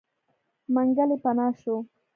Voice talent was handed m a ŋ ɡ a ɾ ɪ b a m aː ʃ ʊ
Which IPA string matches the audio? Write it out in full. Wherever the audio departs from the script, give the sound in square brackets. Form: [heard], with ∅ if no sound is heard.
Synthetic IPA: m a ŋ ɡ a [l] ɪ [p] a [n] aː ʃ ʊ